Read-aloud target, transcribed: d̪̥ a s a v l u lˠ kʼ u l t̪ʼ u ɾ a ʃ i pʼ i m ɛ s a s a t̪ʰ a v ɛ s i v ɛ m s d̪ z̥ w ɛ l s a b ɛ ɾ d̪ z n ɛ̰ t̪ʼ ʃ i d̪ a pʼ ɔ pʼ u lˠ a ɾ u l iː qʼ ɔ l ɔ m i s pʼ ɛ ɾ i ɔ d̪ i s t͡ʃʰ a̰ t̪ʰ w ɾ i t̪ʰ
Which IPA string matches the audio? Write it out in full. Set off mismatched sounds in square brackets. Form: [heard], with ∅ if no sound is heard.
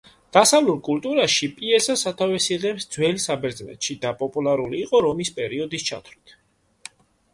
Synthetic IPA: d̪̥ a s a v l u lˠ kʼ u l t̪ʼ u ɾ a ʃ i pʼ i [∅] ɛ s a s a t̪ʰ a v ɛ s i [ʁ] ɛ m s d̪ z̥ w ɛ l s a b ɛ ɾ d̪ z n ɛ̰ [t̪] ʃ i d̪ a pʼ ɔ pʼ u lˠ a ɾ u l iː qʼ ɔ [ɾ] ɔ m i s pʼ ɛ ɾ i ɔ d̪ i s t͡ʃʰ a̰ t̪ʰ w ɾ i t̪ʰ